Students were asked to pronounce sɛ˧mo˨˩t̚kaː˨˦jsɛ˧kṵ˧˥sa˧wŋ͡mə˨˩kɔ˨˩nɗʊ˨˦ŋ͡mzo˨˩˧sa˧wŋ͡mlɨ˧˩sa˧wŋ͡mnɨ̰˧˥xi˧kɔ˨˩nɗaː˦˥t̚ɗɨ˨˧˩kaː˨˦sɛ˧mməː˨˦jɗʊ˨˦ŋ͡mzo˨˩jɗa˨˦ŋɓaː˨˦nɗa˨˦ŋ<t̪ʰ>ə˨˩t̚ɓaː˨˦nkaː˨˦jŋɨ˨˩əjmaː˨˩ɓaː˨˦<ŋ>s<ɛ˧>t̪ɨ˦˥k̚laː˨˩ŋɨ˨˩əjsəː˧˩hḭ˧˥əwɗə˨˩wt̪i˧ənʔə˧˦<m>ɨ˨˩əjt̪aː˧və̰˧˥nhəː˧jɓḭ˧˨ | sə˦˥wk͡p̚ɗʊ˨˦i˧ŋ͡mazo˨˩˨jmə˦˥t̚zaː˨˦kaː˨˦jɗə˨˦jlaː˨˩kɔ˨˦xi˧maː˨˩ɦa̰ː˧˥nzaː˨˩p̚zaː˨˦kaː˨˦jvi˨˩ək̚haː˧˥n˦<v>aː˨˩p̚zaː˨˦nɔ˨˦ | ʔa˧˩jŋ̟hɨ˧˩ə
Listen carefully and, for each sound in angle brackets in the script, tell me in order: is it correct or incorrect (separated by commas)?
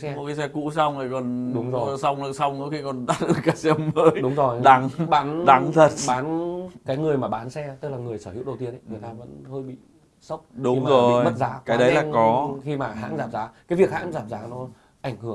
correct, incorrect, correct, incorrect, incorrect